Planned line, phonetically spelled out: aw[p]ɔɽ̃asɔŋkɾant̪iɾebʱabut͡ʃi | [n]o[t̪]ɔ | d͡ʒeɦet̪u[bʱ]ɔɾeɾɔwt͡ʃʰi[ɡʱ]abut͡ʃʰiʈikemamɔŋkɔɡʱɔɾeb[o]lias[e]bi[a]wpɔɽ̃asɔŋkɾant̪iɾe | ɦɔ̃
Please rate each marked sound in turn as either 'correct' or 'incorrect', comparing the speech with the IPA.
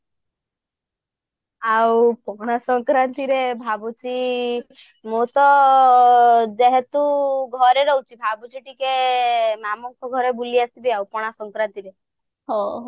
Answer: correct, incorrect, correct, incorrect, incorrect, incorrect, incorrect, correct

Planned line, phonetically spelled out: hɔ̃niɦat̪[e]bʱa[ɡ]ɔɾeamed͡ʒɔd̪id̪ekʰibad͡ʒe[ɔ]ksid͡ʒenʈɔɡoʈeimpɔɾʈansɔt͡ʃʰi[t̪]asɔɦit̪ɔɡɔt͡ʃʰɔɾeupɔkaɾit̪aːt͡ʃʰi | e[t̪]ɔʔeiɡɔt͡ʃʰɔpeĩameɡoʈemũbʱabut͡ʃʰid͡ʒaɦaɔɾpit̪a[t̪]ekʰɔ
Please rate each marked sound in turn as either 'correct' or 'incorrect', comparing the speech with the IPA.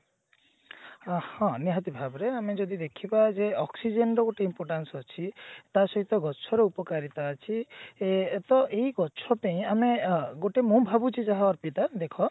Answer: incorrect, incorrect, correct, correct, correct, incorrect

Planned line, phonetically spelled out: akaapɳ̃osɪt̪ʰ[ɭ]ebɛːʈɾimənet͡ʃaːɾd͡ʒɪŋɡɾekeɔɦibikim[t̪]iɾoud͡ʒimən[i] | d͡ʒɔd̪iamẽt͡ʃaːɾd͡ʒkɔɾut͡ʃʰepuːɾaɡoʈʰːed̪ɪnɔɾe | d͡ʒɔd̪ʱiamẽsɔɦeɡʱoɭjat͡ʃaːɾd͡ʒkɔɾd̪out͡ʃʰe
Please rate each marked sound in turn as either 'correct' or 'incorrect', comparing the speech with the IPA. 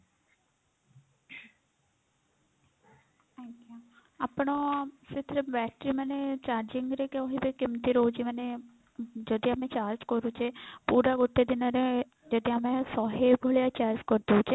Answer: incorrect, correct, incorrect

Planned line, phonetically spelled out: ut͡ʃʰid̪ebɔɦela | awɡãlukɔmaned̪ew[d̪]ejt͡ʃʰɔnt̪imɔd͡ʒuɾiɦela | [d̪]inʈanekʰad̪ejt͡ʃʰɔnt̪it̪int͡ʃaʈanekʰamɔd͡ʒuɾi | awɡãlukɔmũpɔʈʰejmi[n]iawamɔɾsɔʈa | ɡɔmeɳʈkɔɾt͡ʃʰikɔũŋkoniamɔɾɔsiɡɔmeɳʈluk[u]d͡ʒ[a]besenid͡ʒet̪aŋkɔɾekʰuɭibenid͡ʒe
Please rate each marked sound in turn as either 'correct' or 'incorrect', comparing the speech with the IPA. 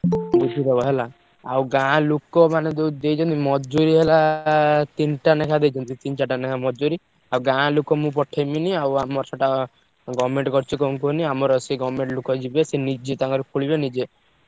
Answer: correct, incorrect, correct, incorrect, incorrect

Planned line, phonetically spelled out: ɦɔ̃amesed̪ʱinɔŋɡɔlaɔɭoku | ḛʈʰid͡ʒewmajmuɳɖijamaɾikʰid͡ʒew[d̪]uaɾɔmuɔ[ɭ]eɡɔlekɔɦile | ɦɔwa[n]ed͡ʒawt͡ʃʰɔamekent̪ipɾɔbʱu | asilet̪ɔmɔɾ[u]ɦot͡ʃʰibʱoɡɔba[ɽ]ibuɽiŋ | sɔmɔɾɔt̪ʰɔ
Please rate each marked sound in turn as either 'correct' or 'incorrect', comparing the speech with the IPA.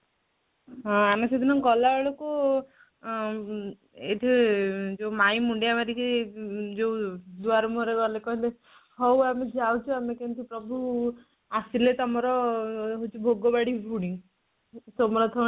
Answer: correct, incorrect, incorrect, incorrect, correct

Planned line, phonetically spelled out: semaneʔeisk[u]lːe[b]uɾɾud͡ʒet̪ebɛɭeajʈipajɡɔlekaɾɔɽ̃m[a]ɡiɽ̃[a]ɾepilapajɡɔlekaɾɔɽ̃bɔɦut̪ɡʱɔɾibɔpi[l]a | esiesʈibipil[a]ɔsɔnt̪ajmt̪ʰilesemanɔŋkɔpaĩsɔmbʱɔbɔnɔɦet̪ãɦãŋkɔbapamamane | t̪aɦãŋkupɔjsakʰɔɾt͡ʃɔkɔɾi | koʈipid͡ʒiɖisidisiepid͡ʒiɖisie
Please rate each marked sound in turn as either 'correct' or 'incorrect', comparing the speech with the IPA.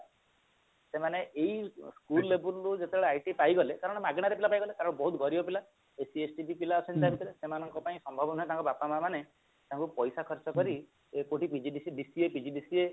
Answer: correct, correct, correct, correct, correct, correct

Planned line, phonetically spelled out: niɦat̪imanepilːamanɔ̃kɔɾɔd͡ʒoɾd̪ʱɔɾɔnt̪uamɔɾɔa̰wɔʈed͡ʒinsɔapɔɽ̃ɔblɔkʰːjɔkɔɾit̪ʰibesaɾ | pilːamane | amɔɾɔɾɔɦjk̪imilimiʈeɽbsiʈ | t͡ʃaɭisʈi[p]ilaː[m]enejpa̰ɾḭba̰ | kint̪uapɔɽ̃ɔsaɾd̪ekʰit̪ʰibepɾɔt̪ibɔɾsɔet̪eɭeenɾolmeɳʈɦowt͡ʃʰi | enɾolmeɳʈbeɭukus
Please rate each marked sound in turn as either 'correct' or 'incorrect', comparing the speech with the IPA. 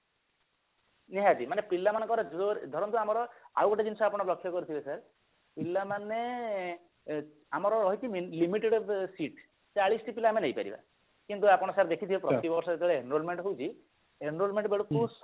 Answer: correct, correct

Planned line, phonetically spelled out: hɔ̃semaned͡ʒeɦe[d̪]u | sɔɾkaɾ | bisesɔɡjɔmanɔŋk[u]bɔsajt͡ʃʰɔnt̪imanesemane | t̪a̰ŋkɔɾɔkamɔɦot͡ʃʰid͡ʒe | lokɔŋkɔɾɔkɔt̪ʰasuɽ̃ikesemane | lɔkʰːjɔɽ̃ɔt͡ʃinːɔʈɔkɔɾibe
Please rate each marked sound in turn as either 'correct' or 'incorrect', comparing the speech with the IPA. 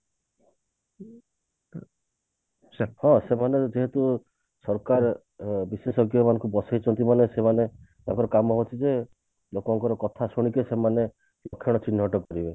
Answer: incorrect, correct

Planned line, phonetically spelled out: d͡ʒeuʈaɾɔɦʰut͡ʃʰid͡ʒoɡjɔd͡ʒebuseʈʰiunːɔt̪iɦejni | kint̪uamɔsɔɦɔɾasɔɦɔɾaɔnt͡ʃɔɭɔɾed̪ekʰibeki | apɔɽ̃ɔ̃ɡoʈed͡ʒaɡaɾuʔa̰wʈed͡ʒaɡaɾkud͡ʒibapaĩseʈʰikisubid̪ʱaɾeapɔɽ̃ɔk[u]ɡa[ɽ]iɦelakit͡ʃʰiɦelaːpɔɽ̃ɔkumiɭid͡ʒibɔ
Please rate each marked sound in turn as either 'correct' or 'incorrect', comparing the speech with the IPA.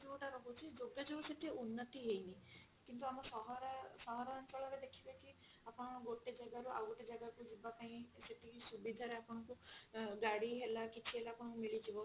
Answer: correct, correct

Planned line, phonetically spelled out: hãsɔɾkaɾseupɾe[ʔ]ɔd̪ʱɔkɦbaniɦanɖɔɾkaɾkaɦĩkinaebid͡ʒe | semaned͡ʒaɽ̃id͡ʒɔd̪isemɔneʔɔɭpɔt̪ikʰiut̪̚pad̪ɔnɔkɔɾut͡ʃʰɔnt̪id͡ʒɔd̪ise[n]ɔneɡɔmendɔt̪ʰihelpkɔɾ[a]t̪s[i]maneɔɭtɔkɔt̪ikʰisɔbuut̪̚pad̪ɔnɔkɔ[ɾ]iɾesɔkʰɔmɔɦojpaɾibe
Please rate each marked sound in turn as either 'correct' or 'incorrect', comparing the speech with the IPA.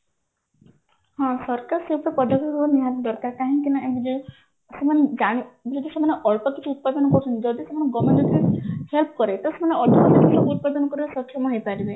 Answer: incorrect, incorrect, incorrect, incorrect, correct

